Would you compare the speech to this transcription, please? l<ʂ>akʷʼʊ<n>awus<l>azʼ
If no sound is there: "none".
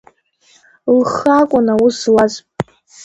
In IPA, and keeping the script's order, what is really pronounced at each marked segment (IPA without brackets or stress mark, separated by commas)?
χ, n, l